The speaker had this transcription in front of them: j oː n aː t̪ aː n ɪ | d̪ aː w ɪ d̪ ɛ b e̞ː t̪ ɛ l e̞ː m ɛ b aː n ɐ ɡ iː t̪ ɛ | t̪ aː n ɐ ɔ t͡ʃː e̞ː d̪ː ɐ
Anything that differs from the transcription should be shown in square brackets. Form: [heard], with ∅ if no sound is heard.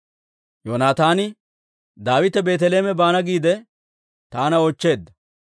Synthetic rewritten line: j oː n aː t̪ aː n ɪ | d̪ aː w ɪ [t̪] ɛ b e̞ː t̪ ɛ l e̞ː m ɛ b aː n ɐ ɡ iː [d̪] ɛ | t̪ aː n ɐ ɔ t͡ʃː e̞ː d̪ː ɐ